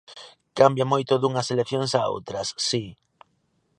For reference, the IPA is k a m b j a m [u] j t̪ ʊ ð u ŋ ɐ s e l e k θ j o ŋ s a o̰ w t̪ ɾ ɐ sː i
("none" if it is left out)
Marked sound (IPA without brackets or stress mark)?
o